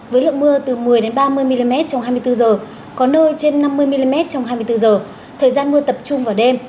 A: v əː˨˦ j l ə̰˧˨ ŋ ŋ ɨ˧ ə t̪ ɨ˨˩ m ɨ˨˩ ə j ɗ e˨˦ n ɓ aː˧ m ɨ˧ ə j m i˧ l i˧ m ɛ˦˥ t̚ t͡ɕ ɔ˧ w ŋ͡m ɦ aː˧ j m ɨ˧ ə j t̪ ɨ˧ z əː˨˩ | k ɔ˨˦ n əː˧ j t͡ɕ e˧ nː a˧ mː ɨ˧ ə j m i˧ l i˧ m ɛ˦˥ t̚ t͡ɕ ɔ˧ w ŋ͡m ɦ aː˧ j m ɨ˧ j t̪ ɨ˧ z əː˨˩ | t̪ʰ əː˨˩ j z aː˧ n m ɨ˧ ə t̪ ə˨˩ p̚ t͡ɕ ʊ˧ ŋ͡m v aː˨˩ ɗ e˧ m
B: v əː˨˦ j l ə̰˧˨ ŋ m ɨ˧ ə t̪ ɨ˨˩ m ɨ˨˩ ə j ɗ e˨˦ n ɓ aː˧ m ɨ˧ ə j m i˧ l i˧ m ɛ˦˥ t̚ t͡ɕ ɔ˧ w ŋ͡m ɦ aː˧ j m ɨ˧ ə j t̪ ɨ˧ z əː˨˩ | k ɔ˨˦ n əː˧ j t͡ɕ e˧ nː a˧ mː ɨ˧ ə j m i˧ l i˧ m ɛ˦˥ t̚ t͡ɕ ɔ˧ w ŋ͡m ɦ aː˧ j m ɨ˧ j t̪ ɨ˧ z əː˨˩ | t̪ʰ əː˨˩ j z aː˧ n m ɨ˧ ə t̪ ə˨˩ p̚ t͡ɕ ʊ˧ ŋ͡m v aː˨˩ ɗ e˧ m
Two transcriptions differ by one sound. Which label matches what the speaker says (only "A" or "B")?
B